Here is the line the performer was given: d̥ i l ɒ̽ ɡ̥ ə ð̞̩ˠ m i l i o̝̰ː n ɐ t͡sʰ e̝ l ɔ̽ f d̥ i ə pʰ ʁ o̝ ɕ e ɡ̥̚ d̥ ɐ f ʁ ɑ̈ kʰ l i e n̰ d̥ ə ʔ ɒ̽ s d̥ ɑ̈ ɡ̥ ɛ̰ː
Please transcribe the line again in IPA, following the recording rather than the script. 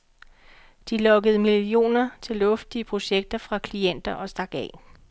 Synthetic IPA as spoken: d̥ i l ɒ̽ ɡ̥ ə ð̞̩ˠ m i l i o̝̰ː n ɐ t͡sʰ e̝ l ɔ̽ f d̥ i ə pʰ ʁ o̝ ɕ e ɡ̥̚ d̥ ɐ f ʁ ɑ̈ kʰ l i e n̰ d̥ ɐ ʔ ɒ̽ s d̥ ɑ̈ ɡ̥ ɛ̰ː